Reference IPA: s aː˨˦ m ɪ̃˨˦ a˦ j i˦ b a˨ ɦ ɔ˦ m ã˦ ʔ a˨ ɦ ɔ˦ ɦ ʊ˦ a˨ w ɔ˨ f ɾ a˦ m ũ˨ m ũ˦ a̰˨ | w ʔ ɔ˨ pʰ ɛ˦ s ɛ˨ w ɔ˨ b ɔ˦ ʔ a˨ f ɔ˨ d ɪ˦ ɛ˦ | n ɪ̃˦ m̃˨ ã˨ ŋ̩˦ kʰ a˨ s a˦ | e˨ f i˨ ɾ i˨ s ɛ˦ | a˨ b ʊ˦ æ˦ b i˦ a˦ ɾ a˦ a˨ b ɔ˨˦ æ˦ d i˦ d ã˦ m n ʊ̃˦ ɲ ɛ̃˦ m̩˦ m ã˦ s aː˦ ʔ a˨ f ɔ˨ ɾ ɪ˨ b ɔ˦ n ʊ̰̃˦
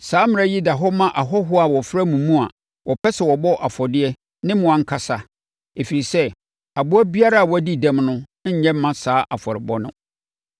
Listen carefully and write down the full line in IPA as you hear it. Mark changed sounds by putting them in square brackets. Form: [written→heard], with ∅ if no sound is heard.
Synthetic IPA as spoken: s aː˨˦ m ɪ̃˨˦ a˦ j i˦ [b→d] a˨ ɦ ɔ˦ m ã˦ ʔ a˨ ɦ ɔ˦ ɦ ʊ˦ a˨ w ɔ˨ f ɾ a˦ m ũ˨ m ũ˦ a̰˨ | w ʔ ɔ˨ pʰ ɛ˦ s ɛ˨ w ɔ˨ b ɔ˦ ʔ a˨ f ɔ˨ d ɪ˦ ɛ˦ | n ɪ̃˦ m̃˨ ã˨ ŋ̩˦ kʰ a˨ s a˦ | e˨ f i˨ ɾ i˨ s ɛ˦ | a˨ b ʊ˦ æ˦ b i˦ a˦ ɾ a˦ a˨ [b→w] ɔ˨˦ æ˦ d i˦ d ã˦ m n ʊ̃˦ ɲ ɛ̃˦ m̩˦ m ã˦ s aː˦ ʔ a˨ f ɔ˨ ɾ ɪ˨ b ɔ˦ n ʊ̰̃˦

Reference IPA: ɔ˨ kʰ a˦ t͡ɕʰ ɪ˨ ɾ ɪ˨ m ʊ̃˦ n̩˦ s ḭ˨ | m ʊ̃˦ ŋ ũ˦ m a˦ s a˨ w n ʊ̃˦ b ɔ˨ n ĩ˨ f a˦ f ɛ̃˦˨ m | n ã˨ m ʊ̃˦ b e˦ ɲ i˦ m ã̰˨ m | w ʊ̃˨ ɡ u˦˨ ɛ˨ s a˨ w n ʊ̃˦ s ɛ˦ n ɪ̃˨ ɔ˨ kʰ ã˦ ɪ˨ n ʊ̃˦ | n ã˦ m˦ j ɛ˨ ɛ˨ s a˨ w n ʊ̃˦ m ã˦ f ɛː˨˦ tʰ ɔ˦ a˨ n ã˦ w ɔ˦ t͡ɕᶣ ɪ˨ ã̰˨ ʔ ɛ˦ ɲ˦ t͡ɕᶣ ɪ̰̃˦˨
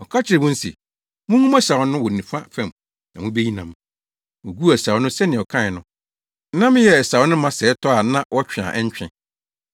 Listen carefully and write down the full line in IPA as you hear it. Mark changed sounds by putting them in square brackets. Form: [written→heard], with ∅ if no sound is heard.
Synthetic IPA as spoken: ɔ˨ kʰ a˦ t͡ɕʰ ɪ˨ ɾ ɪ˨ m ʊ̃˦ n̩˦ s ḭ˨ | m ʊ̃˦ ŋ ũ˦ m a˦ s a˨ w n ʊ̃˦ [b→w] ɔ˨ n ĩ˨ f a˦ f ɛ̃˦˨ m | n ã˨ m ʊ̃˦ b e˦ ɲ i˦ [m→n] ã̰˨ m | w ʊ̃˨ ɡ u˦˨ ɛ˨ s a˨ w n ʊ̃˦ s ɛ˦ n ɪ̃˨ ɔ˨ kʰ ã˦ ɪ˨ n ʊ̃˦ | n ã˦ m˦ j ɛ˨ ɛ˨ s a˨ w n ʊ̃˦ m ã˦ [f→s] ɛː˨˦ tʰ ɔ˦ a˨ n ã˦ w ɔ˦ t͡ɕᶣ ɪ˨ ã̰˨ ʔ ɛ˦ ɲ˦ t͡ɕᶣ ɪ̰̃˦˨

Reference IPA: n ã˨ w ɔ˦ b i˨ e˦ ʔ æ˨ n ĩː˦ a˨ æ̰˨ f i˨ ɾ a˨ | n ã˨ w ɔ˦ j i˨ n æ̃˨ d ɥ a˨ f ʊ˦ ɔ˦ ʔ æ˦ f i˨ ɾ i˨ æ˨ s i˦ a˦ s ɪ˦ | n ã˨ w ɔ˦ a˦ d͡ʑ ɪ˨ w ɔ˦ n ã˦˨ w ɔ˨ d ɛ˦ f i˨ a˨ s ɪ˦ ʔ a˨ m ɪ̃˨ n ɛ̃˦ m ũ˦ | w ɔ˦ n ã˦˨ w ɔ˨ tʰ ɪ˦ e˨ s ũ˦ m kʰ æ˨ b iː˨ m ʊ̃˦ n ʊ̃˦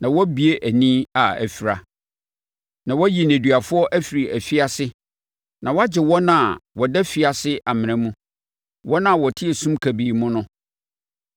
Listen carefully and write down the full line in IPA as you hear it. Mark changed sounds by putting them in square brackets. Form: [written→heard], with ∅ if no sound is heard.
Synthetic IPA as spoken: n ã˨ w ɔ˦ b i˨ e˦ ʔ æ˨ n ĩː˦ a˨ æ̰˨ f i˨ ɾ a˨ | n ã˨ w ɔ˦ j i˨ n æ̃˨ d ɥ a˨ f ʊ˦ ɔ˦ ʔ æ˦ f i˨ ɾ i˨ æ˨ [s→f] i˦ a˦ s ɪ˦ | n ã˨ w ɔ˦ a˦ d͡ʑ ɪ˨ w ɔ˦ n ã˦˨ w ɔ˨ d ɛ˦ f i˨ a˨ s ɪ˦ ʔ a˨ m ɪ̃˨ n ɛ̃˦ m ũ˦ | w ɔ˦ n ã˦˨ w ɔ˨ tʰ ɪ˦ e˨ s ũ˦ m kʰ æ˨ b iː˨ m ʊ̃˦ n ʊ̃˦

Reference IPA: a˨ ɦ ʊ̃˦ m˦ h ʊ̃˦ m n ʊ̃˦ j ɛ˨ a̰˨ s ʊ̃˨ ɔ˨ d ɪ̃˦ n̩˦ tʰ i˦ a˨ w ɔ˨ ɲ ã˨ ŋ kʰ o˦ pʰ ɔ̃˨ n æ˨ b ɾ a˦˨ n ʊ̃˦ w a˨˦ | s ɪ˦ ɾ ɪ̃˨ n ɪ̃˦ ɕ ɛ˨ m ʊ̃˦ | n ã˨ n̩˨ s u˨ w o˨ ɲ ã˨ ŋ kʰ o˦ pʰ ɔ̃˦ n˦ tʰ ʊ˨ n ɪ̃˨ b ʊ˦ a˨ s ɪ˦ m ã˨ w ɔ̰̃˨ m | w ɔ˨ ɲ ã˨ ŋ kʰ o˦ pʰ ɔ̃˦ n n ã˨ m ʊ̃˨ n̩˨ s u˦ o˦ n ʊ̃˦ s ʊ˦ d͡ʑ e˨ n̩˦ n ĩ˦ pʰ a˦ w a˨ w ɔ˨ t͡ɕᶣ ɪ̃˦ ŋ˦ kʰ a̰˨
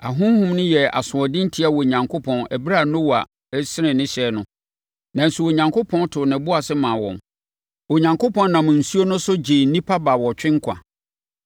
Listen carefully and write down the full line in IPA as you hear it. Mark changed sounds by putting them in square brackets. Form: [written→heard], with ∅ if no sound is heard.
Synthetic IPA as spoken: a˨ ɦ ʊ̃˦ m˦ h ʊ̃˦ m n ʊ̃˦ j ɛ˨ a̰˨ s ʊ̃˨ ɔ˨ d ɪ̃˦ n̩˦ tʰ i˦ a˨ w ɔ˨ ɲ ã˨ ŋ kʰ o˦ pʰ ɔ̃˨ n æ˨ b ɾ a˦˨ n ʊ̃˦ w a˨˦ | s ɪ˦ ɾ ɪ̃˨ n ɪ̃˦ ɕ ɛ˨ [m→n] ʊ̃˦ | n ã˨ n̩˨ s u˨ w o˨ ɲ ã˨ ŋ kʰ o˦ pʰ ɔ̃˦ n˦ tʰ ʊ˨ n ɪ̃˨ b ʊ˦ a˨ s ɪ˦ m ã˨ w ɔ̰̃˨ m | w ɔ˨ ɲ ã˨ ŋ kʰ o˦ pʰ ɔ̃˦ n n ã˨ m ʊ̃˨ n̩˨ s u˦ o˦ n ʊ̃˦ s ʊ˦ d͡ʑ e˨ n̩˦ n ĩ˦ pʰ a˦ [w→b] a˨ w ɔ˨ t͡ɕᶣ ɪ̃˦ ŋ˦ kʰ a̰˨

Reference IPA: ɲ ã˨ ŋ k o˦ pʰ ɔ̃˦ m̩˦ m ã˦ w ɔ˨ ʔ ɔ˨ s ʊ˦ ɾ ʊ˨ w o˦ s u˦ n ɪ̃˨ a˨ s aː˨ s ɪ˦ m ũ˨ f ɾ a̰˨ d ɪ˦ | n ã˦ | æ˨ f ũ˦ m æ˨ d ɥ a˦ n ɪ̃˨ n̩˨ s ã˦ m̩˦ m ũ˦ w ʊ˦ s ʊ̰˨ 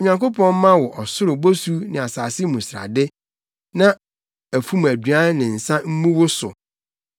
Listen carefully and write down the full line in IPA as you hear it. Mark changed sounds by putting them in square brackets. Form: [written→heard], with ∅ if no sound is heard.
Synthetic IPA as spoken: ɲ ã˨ ŋ k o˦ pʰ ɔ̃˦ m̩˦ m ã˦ w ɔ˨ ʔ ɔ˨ s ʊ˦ ɾ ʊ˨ [w→b] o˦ s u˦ n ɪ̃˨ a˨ s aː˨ s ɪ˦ m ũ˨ [f→s] ɾ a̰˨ d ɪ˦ | n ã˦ | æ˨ f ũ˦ m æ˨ d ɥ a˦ n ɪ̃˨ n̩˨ s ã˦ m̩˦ m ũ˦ w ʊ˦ s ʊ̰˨

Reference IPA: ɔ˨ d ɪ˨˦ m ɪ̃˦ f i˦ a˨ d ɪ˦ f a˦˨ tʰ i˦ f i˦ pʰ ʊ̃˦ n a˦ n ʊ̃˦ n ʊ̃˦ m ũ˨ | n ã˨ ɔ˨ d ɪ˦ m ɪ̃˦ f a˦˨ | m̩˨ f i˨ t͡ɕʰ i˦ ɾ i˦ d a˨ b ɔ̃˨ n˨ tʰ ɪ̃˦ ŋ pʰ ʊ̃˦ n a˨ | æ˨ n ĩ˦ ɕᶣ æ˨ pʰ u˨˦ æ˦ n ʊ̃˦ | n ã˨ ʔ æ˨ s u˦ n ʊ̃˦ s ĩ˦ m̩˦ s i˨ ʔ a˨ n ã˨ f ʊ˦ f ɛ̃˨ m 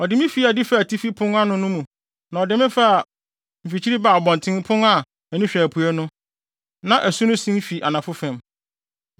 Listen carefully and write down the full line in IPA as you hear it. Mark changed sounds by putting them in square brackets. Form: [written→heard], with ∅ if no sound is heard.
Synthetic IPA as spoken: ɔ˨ d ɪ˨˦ m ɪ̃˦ f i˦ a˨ d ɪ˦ f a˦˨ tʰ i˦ f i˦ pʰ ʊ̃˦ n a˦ n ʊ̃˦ n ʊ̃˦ m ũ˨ | n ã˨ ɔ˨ d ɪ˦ m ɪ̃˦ f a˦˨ | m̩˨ f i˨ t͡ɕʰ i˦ ɾ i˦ [d→b] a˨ b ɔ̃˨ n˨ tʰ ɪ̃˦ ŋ pʰ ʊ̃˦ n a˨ | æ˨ n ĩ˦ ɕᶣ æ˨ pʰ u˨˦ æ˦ n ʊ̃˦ | n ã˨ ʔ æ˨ s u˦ n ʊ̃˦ s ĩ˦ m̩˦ [s→f] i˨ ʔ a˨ n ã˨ f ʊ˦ f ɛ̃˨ m

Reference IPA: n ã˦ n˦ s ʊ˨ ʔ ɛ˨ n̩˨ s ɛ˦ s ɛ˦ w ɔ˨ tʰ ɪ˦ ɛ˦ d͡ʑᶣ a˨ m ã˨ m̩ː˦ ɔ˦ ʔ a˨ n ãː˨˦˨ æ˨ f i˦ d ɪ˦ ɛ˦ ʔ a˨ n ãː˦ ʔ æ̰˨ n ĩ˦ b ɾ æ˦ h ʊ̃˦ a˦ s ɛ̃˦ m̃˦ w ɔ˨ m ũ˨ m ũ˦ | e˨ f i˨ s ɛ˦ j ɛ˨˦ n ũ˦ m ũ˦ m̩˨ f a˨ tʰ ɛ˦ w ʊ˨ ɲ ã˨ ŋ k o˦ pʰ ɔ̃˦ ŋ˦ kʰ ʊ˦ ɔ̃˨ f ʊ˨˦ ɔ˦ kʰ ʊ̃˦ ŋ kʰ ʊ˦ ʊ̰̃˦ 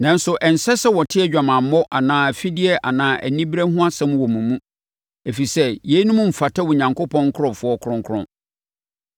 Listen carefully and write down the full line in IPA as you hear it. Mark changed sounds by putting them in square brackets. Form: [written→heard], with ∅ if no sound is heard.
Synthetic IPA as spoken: n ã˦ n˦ s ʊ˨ ʔ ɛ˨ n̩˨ s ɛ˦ s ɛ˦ w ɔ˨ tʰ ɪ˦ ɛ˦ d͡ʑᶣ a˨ m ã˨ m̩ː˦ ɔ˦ ʔ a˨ n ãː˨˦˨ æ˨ f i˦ d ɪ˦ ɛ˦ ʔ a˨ n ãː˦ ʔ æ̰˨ n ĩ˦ b ɾ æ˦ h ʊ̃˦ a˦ s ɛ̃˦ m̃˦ w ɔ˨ m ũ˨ m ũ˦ | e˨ f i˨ s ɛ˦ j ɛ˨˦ n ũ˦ m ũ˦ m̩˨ f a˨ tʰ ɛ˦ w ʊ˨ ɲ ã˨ ŋ k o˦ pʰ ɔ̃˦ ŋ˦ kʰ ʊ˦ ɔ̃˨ f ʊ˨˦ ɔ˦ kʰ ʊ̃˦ ŋ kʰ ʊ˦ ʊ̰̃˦

